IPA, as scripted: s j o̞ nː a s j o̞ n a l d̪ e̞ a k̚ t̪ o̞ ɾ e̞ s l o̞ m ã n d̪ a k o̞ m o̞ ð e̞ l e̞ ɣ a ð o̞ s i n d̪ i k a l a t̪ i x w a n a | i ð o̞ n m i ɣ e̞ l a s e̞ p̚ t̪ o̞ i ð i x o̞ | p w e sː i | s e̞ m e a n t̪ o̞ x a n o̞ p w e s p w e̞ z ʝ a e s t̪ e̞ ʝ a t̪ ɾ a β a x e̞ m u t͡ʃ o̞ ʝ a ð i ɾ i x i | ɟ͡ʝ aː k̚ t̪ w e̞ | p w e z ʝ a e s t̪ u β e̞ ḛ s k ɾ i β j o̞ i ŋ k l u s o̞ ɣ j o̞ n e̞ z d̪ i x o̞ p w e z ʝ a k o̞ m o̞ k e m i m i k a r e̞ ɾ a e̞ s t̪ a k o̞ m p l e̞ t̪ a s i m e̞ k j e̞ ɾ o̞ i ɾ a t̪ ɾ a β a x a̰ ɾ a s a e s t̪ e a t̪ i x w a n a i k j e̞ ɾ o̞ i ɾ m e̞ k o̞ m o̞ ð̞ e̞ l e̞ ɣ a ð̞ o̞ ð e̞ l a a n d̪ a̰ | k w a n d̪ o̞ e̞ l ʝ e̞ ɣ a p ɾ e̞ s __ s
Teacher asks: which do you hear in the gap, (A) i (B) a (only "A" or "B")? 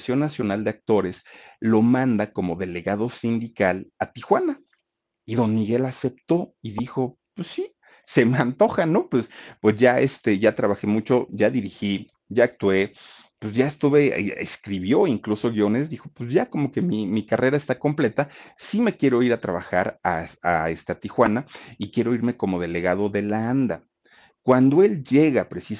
A